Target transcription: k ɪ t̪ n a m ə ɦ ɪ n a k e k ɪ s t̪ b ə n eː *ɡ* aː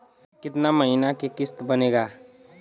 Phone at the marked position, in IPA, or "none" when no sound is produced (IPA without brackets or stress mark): ɡ